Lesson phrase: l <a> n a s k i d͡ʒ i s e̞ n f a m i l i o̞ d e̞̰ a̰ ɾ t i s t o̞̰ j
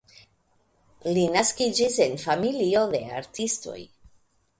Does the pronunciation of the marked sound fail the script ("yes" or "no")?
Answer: yes